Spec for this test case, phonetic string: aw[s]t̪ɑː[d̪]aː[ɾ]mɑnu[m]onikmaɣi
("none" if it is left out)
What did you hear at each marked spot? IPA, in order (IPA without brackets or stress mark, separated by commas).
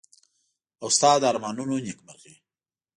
s, d̪, ɾ, n